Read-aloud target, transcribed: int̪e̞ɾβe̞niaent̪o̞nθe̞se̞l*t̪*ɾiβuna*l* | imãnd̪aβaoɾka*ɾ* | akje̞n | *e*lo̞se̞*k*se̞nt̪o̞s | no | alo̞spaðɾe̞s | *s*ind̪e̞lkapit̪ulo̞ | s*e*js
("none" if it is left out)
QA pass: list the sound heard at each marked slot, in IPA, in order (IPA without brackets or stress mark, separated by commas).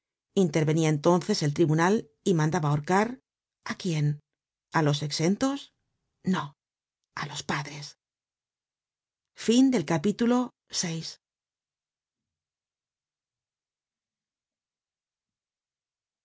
t̪, l, ɾ, a, k, f, e